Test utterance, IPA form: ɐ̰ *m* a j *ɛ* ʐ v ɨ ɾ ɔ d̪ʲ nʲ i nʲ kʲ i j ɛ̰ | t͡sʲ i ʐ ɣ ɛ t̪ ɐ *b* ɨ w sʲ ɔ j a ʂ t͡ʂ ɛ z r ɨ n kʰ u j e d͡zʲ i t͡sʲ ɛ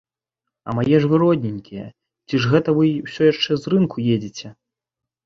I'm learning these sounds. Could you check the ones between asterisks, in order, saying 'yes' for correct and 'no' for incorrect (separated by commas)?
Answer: yes, yes, no